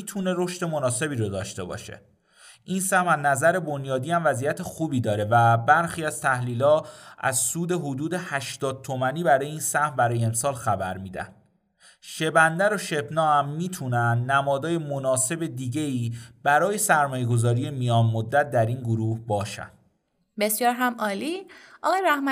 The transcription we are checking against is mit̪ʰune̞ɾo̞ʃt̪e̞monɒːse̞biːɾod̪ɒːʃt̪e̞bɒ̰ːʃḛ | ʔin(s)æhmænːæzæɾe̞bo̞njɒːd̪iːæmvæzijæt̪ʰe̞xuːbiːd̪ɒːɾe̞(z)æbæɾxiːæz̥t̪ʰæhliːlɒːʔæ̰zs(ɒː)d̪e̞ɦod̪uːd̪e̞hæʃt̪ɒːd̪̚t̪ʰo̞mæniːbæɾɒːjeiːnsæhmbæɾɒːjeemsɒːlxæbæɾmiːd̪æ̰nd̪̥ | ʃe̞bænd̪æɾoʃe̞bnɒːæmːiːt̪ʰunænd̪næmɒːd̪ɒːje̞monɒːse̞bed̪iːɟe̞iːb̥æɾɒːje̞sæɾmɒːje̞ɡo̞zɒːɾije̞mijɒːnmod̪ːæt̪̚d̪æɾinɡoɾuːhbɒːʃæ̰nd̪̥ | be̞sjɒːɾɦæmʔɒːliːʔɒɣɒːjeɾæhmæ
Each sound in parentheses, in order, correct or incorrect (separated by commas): correct, incorrect, incorrect